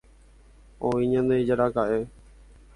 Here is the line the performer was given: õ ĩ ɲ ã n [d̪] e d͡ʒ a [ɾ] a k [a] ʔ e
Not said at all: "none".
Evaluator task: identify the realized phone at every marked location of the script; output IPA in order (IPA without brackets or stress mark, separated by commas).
d̪, ɾ, a